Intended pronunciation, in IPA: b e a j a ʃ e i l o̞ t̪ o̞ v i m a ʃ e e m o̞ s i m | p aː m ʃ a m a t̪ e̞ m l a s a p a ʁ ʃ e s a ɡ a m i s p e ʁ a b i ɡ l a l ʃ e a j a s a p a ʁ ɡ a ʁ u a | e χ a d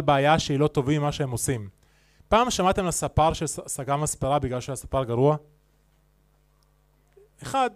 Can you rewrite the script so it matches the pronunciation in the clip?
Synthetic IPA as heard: b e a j a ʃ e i l o̞ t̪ o̞ v i m a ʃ e e m o̞ s i m | p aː m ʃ a m a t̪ e̞ m l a s a p a ʁ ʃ e s a ɡ a m a s p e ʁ a b i ɡ l a l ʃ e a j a s a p a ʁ ɡ a ʁ u a | e χ a d